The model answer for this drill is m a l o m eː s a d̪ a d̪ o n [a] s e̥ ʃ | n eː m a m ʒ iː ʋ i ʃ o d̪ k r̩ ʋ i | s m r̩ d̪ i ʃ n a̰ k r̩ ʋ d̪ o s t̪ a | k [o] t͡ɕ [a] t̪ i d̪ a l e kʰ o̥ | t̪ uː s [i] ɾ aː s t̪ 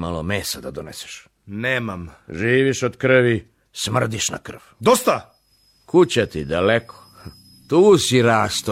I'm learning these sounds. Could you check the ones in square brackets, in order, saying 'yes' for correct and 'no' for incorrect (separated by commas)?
no, no, yes, yes